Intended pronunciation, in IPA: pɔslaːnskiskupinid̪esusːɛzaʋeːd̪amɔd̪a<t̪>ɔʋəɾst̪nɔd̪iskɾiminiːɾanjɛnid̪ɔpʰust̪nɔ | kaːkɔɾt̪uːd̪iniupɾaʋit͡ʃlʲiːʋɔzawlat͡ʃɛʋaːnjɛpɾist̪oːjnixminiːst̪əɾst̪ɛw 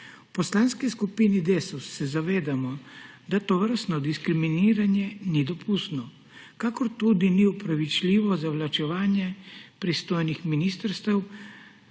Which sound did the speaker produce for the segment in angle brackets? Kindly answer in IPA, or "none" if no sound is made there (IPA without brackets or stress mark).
t̪